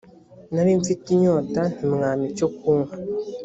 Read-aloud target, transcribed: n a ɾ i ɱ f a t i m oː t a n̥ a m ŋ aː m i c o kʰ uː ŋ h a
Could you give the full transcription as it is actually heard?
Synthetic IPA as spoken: n a ɾ i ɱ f i t i ɲ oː t a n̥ i m ŋ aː m i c o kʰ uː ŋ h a